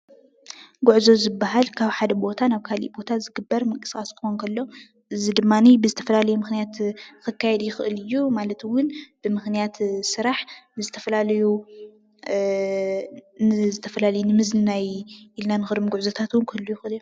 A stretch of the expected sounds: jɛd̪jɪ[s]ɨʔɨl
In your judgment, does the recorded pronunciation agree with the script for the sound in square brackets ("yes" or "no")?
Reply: no